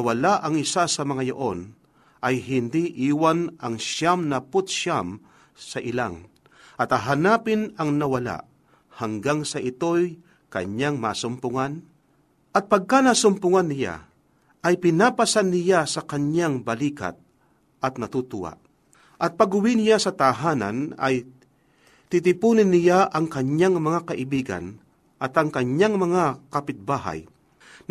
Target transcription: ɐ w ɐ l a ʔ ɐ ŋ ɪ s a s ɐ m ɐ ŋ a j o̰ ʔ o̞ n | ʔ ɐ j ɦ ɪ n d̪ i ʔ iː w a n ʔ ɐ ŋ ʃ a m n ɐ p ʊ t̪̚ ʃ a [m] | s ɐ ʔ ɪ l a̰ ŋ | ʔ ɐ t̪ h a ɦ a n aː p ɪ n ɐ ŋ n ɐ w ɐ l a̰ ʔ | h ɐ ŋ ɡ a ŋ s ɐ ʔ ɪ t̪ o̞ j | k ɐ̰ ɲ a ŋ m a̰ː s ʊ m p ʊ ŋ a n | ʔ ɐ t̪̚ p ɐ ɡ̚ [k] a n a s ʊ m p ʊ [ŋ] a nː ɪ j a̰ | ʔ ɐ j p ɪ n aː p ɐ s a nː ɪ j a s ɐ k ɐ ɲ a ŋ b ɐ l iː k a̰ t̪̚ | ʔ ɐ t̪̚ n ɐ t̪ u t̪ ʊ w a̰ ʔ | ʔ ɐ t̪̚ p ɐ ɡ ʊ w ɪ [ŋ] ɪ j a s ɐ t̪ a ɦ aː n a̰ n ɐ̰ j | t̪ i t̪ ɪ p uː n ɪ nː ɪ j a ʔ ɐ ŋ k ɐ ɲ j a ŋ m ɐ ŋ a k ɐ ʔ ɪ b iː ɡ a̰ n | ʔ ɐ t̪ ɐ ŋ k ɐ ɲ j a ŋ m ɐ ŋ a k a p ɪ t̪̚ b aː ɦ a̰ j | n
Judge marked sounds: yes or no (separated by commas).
yes, yes, yes, no